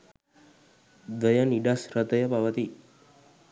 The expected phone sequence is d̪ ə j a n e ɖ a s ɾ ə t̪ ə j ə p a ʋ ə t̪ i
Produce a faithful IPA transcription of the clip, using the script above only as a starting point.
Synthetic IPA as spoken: d̪ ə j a n i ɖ a s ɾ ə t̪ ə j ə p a ʋ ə t̪ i